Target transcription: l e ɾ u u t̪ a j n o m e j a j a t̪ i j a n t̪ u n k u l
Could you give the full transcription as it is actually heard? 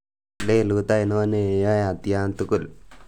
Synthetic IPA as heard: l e l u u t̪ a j n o n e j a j a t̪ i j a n t̪ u k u l